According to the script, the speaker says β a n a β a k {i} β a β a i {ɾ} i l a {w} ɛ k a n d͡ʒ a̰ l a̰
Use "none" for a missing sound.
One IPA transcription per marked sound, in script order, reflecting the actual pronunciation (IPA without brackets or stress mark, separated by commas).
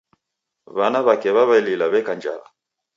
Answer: ɛ, l, β